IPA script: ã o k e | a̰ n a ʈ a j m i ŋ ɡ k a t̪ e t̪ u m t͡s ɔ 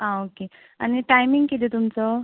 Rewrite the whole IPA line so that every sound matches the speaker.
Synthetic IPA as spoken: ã o k e | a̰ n i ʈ a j m i ŋ ɡ k i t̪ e t̪ u m t͡s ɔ